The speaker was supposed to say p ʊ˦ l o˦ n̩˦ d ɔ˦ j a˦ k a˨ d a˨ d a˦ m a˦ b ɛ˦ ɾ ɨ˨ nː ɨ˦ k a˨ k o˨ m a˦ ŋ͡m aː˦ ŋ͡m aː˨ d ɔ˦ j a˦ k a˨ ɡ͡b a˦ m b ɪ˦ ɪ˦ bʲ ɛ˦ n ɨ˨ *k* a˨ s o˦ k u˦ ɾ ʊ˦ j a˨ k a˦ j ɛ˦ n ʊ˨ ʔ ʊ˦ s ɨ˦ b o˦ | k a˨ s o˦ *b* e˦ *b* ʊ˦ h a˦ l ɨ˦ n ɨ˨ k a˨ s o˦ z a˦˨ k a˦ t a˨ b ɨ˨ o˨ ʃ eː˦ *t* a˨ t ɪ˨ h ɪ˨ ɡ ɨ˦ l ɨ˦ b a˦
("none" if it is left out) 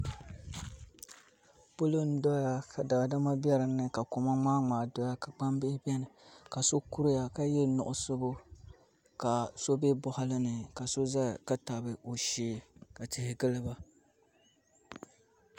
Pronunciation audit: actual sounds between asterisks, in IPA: k, b, b, k

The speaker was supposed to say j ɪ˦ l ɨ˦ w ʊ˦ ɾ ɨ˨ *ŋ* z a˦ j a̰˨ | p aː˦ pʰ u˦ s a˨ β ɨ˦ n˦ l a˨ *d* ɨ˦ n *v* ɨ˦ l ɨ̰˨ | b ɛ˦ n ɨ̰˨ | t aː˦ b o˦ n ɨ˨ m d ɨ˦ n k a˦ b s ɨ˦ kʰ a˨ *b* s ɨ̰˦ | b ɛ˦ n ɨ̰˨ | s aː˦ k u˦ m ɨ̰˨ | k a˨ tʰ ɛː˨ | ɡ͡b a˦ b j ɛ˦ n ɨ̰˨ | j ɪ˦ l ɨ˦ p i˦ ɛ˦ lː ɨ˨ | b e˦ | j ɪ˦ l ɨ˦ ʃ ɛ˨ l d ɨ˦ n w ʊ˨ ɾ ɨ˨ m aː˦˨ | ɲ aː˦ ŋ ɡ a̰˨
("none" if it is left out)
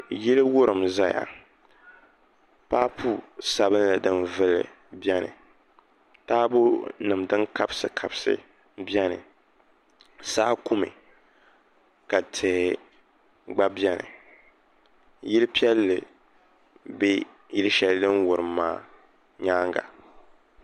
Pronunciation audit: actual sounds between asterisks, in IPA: m, d, v, b

